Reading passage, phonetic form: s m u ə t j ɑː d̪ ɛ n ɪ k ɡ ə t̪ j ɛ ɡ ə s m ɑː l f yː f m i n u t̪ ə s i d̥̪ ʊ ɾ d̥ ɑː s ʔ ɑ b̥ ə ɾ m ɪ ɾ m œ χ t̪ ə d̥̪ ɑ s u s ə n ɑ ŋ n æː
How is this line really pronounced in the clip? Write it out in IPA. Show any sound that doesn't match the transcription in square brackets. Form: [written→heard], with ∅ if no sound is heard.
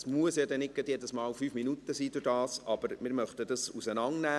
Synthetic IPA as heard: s m u ə [t→s] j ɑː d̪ ɛ n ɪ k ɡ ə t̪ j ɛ [ɡ→d] ə s m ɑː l f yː f m i n u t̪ ə s [i→iː] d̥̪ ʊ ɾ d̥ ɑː s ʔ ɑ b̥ ə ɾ m ɪ ɾ m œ χ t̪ ə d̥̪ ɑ s u s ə n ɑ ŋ n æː

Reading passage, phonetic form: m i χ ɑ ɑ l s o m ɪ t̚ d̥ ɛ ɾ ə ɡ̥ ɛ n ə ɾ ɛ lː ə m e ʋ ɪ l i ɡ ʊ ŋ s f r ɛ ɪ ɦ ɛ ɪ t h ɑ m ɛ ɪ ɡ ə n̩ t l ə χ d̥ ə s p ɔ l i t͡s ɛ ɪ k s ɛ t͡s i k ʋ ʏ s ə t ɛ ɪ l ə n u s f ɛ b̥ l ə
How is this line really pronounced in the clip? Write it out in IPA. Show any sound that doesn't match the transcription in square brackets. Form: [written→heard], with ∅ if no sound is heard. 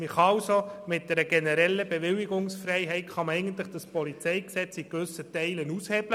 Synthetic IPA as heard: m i χ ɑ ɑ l s o m ɪ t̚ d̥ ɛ ɾ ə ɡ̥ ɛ n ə ɾ ɛ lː ə [m→b] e ʋ ɪ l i ɡ ʊ ŋ s f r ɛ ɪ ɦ ɛ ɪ t [h→χ] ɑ m ɛ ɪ ɡ ə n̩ t l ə χ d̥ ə s p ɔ l i t͡s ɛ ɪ k s ɛ t͡s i k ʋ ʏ s ə t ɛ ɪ l ə n u s [f→h] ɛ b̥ l ə

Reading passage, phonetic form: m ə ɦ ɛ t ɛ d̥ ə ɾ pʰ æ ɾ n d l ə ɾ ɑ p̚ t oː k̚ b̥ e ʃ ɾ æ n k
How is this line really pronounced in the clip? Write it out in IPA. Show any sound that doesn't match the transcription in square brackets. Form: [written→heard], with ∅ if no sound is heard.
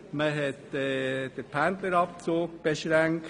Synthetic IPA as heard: m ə ɦ ɛ t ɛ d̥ ə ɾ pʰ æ [ɾ→∅] n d l ə ɾ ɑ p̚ [t→t͡s] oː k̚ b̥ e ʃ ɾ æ [n→ŋ] k

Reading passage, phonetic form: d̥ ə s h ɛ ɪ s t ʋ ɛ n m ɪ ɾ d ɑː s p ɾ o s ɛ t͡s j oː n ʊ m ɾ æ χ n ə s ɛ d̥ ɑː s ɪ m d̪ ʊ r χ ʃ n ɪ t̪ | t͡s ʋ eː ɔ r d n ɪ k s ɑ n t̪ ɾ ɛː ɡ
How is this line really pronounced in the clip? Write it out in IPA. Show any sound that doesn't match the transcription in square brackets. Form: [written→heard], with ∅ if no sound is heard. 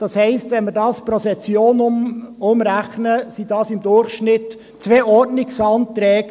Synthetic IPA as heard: d̥ [ə→ɑ] s h ɛ ɪ s t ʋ ɛ n m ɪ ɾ d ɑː s p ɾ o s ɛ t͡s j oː n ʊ m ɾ æ χ n ə s [ɛ→i] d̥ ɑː s ɪ m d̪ ʊ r χ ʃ n ɪ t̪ | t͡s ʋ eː ɔ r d n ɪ k s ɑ n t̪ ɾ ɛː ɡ

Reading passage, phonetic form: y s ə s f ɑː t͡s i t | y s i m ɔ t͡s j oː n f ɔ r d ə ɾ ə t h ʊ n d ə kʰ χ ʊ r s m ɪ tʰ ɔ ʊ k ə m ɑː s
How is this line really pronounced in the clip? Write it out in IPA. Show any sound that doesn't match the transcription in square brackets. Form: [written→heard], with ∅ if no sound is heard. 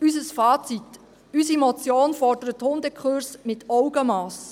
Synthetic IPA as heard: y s ə s f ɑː t͡s i t | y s i m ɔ t͡s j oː n f ɔ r d ə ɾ ə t h ʊ n d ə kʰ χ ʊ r s m ɪ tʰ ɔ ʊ [k→ɡ] ə m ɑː s

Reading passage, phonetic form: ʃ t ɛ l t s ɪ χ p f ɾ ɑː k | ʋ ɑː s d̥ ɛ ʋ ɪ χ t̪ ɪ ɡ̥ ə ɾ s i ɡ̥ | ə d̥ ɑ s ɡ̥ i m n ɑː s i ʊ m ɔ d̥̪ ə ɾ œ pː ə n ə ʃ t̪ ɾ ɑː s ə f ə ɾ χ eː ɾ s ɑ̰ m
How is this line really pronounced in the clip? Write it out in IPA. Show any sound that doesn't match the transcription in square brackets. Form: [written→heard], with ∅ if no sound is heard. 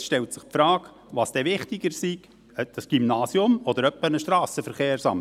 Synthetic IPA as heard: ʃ t ɛ l t s ɪ χ p f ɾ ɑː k | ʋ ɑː s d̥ ɛ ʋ ɪ χ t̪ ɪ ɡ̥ ə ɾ s i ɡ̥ | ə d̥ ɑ s ɡ̥ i m n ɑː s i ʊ m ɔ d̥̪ ə ɾ œ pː ə n ə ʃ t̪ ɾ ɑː s ə f ə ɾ χ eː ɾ s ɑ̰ m

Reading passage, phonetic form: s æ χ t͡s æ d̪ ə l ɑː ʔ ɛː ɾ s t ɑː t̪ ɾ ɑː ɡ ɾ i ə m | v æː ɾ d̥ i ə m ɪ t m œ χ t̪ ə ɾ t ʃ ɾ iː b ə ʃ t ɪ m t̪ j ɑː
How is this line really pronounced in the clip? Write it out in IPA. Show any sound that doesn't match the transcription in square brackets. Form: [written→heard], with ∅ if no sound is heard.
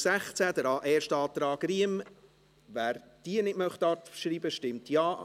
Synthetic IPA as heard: s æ χ t͡s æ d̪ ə [l→ɾ] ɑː ʔ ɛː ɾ [s→ʃ] t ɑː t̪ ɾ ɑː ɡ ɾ i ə m | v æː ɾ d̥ i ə [m→n] ɪ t m œ χ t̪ [ə→ɑ] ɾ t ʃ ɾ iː b ə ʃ t ɪ m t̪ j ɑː

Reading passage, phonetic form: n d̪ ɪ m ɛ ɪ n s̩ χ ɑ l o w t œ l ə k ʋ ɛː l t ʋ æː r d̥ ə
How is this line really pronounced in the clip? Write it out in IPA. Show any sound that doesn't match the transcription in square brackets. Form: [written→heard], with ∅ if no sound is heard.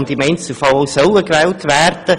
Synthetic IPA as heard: n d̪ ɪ m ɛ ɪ n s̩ [χ→f] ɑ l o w [t→s] œ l ə k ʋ ɛː l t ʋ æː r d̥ ə

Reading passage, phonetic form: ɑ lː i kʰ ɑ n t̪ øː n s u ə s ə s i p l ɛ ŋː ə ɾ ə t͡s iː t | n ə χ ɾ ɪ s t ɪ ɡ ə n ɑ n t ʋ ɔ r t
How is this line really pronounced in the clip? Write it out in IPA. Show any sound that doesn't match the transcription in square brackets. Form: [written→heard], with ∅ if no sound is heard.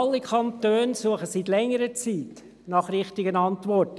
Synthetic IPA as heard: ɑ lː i kʰ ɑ n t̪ øː n s u ə [s→χ] ə s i [p→t] l ɛ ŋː ə ɾ ə t͡s iː t | n [ə→ɑ] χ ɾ ɪ [s→χ] t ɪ ɡ ə n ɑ n t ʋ ɔ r t

